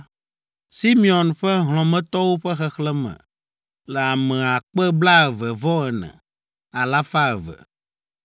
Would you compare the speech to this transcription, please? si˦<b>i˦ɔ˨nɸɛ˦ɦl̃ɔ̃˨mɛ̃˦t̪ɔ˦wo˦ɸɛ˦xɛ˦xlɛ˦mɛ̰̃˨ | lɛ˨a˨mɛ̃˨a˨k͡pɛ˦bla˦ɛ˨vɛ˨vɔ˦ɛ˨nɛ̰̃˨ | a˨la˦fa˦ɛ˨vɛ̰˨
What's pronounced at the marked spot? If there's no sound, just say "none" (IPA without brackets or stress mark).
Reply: m